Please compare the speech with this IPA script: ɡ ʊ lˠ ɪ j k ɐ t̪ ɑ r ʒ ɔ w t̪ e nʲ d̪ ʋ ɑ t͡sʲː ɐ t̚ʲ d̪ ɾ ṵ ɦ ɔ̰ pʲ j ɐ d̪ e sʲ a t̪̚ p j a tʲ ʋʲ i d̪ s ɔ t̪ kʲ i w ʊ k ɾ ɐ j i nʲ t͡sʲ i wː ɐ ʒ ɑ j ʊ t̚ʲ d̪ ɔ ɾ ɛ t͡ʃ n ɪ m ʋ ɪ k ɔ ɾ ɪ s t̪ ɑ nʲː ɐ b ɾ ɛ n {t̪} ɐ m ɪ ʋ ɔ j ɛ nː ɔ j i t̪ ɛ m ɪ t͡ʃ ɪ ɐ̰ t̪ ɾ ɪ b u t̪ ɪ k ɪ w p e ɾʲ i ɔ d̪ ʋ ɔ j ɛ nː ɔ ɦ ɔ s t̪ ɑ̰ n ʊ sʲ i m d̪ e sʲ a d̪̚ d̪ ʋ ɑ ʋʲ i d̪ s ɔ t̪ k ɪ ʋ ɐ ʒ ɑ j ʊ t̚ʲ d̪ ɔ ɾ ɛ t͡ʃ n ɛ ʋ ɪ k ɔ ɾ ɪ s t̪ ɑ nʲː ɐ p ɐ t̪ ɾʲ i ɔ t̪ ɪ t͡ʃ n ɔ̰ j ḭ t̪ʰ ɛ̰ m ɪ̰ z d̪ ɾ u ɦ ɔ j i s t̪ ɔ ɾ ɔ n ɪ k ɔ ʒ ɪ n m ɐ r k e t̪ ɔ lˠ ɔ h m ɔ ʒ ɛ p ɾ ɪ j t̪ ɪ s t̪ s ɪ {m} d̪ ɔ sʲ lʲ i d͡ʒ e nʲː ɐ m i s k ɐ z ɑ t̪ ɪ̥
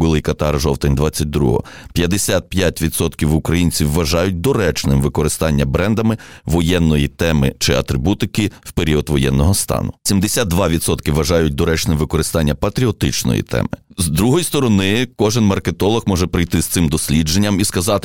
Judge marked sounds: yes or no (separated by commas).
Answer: no, yes